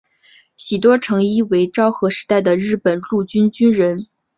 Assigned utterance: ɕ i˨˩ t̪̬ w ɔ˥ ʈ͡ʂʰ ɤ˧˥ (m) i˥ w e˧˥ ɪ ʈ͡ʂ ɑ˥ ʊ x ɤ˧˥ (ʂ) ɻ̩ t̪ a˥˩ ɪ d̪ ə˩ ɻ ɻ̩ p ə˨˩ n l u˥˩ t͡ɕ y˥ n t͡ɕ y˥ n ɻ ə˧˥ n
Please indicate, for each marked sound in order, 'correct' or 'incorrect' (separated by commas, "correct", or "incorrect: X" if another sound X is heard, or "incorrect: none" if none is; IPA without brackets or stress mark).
incorrect: ŋ, correct